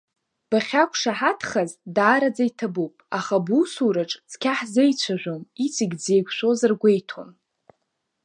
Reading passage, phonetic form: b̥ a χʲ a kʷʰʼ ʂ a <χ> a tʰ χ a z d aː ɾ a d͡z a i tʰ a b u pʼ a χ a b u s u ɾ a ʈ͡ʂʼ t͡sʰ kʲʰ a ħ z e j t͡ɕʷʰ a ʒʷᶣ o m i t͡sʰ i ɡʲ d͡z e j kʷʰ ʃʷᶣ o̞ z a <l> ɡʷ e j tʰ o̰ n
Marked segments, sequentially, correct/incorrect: incorrect, incorrect

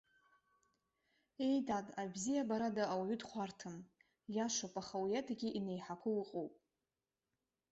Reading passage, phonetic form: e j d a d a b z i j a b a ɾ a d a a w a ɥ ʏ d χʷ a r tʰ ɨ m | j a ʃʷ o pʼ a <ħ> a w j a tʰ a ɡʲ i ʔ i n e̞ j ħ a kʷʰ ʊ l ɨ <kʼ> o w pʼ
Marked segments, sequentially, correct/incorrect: incorrect, incorrect

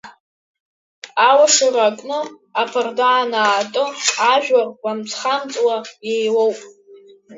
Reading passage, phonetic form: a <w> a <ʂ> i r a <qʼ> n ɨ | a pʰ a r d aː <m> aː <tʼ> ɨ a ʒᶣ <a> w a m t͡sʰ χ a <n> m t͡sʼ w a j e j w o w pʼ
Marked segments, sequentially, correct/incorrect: correct, correct, incorrect, incorrect, correct, correct, incorrect

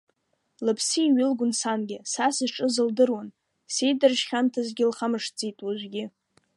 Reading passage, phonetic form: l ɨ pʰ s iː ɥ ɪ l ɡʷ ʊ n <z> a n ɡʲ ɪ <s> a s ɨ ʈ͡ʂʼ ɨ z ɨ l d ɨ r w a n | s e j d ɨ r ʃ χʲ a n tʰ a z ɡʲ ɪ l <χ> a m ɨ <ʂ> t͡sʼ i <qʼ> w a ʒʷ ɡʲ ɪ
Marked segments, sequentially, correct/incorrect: incorrect, correct, correct, correct, incorrect

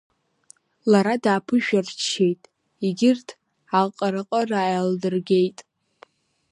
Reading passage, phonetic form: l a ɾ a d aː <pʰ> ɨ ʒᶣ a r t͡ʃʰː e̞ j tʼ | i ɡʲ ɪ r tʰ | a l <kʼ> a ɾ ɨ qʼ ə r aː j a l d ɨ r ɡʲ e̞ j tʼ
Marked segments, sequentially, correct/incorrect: correct, incorrect

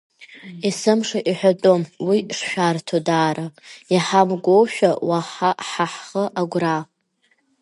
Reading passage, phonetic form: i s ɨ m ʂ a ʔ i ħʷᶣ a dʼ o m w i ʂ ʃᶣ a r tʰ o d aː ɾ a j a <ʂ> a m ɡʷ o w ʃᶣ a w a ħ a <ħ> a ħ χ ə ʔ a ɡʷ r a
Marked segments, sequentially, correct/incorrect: incorrect, correct

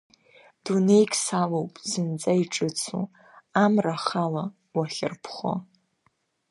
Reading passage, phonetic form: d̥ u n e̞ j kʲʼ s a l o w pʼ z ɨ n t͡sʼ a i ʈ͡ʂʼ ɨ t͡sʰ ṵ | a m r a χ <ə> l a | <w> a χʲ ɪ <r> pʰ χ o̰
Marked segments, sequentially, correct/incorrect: incorrect, correct, correct

